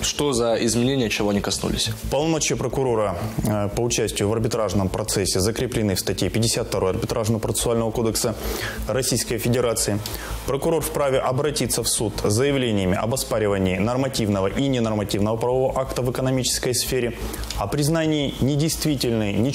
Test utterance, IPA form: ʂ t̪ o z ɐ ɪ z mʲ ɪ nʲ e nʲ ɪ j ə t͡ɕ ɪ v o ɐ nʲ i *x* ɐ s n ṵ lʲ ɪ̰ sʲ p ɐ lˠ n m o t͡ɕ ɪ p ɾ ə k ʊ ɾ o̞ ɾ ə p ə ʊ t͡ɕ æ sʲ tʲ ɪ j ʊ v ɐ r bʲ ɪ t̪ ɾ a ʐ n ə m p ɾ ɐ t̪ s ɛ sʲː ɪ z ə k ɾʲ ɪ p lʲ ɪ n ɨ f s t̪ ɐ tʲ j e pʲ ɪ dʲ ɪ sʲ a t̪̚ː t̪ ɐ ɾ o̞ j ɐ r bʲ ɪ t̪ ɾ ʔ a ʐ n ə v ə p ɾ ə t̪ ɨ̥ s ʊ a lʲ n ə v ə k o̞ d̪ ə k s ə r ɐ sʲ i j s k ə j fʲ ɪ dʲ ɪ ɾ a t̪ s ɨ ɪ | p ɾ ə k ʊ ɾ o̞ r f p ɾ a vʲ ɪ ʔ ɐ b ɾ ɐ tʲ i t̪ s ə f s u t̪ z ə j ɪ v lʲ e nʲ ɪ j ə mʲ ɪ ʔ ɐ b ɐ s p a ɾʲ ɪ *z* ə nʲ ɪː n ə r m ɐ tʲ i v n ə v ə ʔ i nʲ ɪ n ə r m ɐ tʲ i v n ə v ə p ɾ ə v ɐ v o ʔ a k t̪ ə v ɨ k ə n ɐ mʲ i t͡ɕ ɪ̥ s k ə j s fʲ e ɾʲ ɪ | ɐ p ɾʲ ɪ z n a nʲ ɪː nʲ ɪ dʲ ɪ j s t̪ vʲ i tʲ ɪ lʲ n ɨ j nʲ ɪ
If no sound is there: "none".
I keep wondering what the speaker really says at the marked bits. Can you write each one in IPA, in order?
k, v

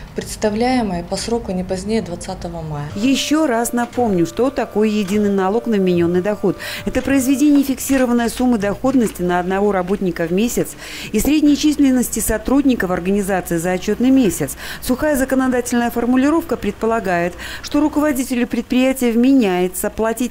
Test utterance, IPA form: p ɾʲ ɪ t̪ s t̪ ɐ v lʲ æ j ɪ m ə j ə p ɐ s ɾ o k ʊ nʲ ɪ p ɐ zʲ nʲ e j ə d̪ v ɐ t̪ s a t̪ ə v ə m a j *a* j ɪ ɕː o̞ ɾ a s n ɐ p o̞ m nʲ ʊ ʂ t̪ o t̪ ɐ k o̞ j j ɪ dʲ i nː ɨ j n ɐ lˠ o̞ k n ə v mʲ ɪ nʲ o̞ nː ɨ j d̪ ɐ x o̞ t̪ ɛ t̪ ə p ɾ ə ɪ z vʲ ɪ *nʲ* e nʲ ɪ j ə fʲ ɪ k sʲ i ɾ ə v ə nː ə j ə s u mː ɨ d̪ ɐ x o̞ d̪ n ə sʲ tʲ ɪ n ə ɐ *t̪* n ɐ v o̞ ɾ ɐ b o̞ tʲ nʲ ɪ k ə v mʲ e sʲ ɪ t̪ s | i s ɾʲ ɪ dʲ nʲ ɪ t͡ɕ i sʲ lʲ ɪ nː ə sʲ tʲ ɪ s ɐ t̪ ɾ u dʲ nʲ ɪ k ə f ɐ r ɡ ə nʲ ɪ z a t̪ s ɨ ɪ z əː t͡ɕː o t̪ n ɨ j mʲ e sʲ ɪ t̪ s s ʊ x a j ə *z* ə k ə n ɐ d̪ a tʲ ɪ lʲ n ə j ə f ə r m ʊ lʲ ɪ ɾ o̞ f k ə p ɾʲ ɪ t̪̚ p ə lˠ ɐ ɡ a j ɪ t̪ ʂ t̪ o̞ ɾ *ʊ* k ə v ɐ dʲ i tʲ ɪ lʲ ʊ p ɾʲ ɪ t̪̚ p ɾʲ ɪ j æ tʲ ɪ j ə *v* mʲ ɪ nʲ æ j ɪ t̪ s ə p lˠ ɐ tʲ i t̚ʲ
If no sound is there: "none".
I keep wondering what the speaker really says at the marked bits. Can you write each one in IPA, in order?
ə, dʲ, d̪, z, ʊ, v

